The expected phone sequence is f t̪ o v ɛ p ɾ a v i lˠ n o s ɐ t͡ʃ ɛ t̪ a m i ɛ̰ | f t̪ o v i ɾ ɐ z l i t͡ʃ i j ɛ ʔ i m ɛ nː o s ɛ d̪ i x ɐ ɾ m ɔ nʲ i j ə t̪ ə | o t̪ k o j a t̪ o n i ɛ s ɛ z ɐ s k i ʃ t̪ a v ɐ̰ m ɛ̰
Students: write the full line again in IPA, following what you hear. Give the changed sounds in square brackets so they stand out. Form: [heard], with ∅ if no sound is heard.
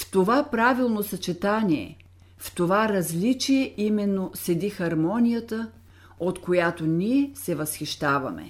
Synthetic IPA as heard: f t̪ o v [a] p ɾ a v i lˠ n o s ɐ t͡ʃ ɛ t̪ a [n] i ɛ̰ | f t̪ o v [a] ɾ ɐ z l i t͡ʃ i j ɛ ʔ i m ɛ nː o s ɛ d̪ i x ɐ ɾ m ɔ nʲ i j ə t̪ ə | o t̪ k o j a t̪ o n i ɛ s ɛ [v] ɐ s [x] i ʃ t̪ a v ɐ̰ m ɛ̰